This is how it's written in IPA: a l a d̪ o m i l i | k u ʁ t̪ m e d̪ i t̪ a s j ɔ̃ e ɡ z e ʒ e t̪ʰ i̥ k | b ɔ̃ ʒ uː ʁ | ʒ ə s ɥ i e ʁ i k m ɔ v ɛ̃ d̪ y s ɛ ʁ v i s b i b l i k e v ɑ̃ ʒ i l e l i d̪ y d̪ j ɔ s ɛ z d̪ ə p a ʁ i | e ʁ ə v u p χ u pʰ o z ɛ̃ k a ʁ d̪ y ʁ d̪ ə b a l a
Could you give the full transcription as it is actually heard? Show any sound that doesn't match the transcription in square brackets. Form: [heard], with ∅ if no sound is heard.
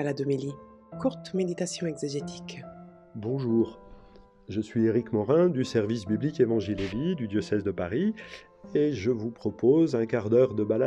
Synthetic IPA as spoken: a l a d̪ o m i l i | k u ʁ t̪ m e d̪ i t̪ a s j ɔ̃ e ɡ z e ʒ e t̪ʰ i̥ k | b ɔ̃ ʒ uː ʁ | ʒ ə s ɥ i e ʁ i k m ɔ [ʁ] ɛ̃ d̪ y s ɛ ʁ v i s b i b l i k e v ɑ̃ ʒ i l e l i d̪ y d̪ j ɔ s ɛ z d̪ ə p a ʁ i | e [ʒ] ə v u p χ [ɔ] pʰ o z ɛ̃ k a ʁ d̪ [œ] ʁ d̪ ə b a l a